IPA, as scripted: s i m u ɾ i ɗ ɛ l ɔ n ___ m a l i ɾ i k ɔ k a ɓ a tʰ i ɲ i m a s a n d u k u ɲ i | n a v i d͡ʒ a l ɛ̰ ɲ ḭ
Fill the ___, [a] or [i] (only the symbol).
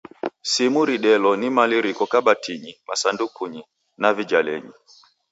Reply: i